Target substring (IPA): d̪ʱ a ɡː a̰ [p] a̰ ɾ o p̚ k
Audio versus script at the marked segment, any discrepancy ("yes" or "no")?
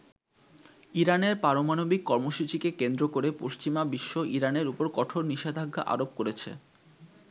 yes